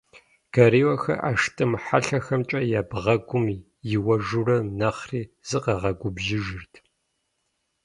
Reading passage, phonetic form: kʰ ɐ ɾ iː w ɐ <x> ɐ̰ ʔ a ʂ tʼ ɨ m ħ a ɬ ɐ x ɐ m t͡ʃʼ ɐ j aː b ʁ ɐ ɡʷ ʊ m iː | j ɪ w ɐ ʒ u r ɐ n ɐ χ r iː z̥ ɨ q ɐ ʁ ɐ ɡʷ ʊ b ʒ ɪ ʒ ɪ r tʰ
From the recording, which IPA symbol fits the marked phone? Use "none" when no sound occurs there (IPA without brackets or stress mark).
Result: x